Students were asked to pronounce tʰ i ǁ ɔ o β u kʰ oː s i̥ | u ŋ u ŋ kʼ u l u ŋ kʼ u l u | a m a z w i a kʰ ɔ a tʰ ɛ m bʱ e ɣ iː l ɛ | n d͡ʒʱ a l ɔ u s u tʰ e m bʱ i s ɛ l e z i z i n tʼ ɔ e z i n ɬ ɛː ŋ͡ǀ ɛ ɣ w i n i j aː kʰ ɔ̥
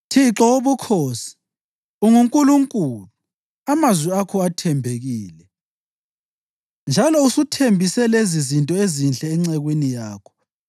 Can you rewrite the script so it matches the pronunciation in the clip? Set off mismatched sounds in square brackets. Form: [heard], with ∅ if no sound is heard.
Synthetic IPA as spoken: tʰ i ǁ ɔ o β u kʰ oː s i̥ | u ŋ u ŋ kʼ u l u ŋ kʼ u l u | a m a z w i a kʰ ɔ a tʰ ɛ m bʱ e ɣ iː l ɛ | n d͡ʒʱ a l ɔ u s u tʰ e m bʱ i s ɛ l e z i z i n tʼ ɔ e z i n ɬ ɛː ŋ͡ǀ ɛ ɣ w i n i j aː kʰ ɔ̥

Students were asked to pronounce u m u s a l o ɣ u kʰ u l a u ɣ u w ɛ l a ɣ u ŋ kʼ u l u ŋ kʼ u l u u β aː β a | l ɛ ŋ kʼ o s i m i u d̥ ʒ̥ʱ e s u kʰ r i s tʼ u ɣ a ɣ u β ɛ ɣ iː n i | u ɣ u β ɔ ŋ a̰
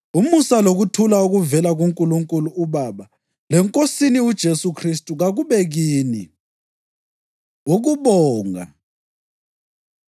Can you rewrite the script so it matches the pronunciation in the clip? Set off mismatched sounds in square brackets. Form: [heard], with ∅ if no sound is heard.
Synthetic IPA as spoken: u m u s a l o ɣ u [tʰ] u l a u ɣ u [v] ɛ l a ɣ u ŋ kʼ u l u ŋ kʼ u l u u β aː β a | l ɛ ŋ kʼ o s i [n] i u d̥ ʒ̥ʱ e s u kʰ r i s tʼ u ɣ a ɣ u β ɛ ɣ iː n i | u ɣ u β [ɔː] ŋ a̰

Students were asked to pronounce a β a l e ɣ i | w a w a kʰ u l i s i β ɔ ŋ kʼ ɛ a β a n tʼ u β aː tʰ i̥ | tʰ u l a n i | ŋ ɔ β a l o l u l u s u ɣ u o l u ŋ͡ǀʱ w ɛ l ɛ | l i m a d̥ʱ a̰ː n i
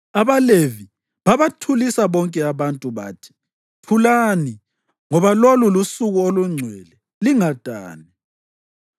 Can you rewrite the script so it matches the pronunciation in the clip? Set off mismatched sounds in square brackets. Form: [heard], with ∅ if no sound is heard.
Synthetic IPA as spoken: a β a l e [v] i | [β] a [β] a [tʰ] u l i s [a] β ɔ ŋ kʼ ɛ a β a n tʼ u β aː tʰ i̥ | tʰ u l a n i | ŋ ɔ β a l o l u l u s u ɣ u o l u ŋ͡ǀʱ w ɛ l ɛ | l i [ŋ] a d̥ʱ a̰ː n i

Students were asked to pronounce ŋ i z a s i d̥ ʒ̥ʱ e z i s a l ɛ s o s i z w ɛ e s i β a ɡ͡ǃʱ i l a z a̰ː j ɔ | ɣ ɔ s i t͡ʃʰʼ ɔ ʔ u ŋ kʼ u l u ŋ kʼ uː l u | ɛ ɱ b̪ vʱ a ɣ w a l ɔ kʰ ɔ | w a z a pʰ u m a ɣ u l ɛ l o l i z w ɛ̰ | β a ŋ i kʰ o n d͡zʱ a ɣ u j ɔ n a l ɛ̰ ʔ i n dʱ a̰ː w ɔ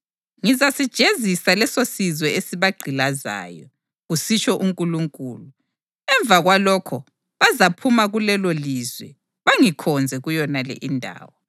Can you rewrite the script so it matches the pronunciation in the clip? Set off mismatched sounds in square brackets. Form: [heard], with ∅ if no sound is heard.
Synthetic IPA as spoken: ŋ i z a s i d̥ ʒ̥ʱ e z i s a l ɛ s o s i z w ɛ e s i β a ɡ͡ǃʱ i l a z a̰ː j ɔ | ɣ [u] s i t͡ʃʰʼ ɔ ʔ u ŋ kʼ u l u ŋ kʼ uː l u | ɛ ɱ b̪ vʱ a ɣ w a l ɔ kʰ ɔ | [β] a z a pʰ u m a ɣ u l ɛ l o l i z w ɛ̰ | β a ŋ i kʰ [ɔ] n d͡zʱ [ɛ] ɣ u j ɔ n a l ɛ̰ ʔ i n dʱ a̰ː w ɔ

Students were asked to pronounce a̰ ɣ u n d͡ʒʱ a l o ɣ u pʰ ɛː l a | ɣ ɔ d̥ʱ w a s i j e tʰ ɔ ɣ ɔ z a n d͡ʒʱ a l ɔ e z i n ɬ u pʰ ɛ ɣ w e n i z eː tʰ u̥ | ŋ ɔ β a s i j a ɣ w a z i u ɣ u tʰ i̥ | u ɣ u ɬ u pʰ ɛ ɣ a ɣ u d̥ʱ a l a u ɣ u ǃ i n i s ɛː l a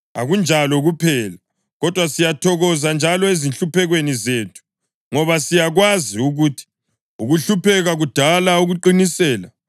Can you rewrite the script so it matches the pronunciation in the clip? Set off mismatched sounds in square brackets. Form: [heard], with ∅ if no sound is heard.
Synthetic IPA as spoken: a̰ ɣ u n d͡ʒʱ a l [ɔ] ɣ u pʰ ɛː l a | ɣ ɔ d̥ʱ w a s i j [a] tʰ ɔ ɣ ɔ z a n d͡ʒʱ a l ɔ e z i n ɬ u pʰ ɛ ɣ w e n i z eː tʰ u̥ | ŋ ɔ β a s i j a ɣ w a z i u ɣ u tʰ i̥ | u ɣ u ɬ u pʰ ɛ ɣ a ɣ u d̥ʱ a l a u ɣ u ǃ i n i s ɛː l a

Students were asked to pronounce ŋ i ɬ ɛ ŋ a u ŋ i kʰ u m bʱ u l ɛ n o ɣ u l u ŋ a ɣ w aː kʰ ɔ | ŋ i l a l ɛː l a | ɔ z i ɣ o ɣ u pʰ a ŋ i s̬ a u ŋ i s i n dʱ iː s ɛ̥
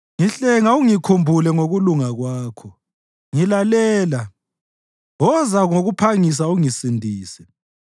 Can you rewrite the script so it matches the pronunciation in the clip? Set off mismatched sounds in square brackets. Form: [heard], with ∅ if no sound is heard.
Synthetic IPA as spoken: ŋ i ɬ ɛ ŋ a u ŋ i kʰ u m bʱ u l ɛ [ŋ] o ɣ u l u ŋ a ɣ w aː kʰ ɔ | ŋ i l a l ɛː l a | ɔ z [a] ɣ o ɣ u pʰ a ŋ i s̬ a u ŋ i s i n dʱ iː s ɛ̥

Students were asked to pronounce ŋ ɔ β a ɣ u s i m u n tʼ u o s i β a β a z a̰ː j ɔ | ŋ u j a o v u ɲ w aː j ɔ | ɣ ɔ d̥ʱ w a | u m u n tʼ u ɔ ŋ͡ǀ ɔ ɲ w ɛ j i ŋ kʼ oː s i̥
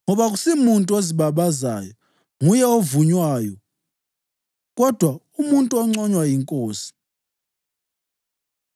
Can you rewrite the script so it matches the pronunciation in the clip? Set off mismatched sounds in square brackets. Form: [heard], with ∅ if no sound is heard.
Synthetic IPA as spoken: ŋ ɔ β a ɣ u s i m u n tʼ u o [z] i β a β a z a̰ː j ɔ | ŋ u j [ɛ] o v u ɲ w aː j ɔ | ɣ ɔ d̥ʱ w a | u m u n tʼ u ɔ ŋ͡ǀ ɔ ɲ w [a] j i ŋ kʼ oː s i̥

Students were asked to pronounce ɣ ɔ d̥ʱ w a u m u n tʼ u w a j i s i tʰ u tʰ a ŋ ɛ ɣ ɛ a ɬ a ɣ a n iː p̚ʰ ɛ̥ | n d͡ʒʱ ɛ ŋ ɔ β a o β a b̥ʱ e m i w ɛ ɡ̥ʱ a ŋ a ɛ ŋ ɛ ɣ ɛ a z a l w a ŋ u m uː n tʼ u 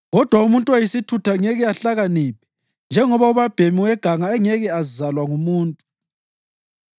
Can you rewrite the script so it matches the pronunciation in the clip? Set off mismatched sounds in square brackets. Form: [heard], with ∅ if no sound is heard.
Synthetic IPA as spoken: ɣ ɔ d̥ʱ w a u m u n tʼ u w a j i s i tʰ u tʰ a ŋ ɛ ɣ ɛ a ɬ a ɣ a n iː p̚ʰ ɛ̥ | n d͡ʒʱ ɛ ŋ ɔ β a [u] β a b̥ʱ e m i w ɛ ɡ̥ʱ a ŋ a ɛ ŋ ɛ ɣ ɛ a z a l w a ŋ u m uː n tʼ u

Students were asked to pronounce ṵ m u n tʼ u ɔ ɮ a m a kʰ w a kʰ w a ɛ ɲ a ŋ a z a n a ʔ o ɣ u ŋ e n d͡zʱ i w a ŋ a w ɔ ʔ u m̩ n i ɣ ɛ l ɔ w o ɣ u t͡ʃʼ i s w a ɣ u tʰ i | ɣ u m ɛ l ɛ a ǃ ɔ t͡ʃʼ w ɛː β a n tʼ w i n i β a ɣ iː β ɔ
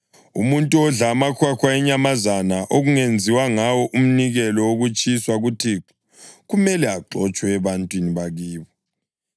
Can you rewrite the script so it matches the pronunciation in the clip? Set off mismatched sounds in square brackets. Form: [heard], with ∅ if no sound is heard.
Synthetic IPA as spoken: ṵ m u n tʼ u ɔ ɮ a m a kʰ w a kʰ w a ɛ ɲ a [m] a z a n a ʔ o ɣ u ŋ e n d͡zʱ i w a ŋ a w ɔ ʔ u m̩ n i ɣ ɛ l ɔ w o ɣ u t͡ʃʼ i s w a ɣ u tʰ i | ɣ u m ɛ l ɛ a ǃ ɔ t͡ʃʼ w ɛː β a n tʼ w i n i β a ɣ iː β ɔ

